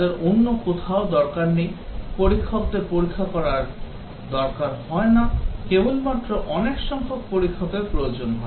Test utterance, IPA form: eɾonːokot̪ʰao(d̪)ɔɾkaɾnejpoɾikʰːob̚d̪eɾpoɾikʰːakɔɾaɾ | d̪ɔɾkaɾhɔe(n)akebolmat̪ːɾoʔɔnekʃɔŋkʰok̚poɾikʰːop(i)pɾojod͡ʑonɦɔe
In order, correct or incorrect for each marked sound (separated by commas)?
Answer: correct, correct, incorrect